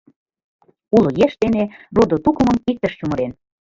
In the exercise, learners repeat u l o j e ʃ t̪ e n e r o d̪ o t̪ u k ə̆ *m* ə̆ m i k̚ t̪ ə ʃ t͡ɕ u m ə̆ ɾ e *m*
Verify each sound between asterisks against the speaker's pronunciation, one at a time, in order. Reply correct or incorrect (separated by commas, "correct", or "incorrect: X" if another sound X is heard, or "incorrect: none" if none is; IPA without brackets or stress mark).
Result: correct, incorrect: n